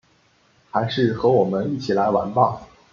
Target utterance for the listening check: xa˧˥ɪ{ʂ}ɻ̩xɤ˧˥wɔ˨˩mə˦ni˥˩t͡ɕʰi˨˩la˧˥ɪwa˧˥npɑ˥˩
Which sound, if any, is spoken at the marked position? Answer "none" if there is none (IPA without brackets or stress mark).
ʂ